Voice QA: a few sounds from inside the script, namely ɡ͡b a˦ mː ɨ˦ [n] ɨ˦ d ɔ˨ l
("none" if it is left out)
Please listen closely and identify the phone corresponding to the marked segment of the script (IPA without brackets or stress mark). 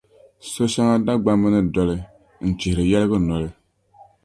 n